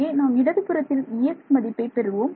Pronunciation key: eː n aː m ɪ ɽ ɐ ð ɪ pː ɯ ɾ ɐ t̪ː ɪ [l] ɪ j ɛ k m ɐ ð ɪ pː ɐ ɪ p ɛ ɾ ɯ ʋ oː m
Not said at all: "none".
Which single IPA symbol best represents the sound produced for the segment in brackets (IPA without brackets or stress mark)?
l